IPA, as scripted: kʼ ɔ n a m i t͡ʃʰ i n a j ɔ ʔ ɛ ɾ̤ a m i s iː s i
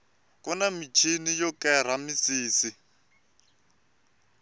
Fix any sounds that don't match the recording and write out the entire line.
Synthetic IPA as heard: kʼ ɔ n a m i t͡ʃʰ i n i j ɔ k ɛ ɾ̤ a m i s iː s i

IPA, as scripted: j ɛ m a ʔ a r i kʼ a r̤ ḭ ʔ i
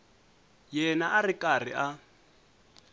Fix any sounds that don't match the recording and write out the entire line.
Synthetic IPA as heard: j ɛ n a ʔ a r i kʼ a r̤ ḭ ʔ a

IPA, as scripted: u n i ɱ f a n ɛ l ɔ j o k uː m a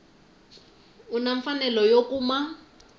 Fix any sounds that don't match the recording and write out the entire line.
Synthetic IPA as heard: u n a ɱ f a n ɛ l ɔ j o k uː m a

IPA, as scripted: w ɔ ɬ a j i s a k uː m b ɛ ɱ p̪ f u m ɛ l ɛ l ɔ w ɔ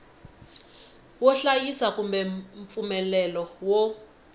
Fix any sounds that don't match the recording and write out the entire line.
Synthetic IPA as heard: w ɔ ɬ a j i s a k u m b ɛ ɱ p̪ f u m ɛ l ɛ l ɔ w ɔ

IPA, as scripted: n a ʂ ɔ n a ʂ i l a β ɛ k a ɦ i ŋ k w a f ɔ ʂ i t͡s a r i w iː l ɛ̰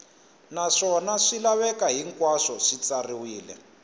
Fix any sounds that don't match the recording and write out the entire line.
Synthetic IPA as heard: n a ʂ ɔ n a ʂ i l a β ɛ k a ɦ i ŋ k w a ʂ ɔ ʂ i t͡s a r i w iː l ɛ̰

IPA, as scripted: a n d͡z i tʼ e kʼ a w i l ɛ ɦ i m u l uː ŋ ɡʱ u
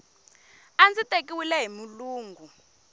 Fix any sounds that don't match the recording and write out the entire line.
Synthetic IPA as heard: a n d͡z i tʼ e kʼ i w i l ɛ ɦ i m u l uː ŋ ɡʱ u

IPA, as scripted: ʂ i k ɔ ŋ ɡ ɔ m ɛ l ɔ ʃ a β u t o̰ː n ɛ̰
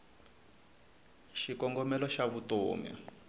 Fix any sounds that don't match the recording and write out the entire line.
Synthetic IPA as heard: ʃ i k ɔ ŋ ɡ ɔ m ɛ l ɔ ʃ a β u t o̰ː m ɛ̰

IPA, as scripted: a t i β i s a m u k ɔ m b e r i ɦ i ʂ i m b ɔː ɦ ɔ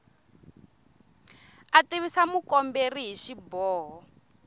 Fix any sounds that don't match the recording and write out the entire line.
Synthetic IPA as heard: a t i β i s a m u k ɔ m b e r i ɦ i ʃ i b ɔː ɦ ɔ

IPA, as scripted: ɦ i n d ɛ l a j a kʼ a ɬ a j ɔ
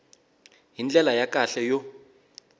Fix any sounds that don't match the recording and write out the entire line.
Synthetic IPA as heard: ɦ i n d͡ɮ ɛ l a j a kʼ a ɬ ɛ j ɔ

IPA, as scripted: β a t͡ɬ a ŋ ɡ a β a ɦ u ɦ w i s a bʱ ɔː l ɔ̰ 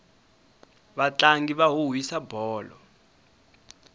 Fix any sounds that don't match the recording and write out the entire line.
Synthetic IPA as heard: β a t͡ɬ a ŋ ɡ i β a ɦ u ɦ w i s a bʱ ɔː l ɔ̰

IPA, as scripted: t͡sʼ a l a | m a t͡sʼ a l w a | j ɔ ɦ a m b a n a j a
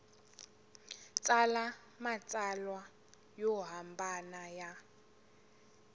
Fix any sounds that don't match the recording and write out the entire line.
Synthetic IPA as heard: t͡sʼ a l a | m a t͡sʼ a l w a | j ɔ ɦ a m b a n a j a

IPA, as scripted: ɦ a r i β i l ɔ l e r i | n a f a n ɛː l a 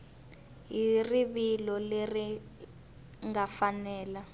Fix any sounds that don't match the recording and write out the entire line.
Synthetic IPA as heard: ɦ i r i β i l ɔ l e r i | ŋ a f a n ɛː l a

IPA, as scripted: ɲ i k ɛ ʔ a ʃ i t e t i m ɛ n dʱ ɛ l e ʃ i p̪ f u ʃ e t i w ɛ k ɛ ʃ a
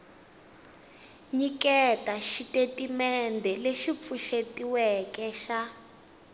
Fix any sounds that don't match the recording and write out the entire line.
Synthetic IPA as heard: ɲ i k ɛ t a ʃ i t e t i m ɛ n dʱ ɛ l e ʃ i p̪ f u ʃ e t i w ɛ k ɛ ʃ a

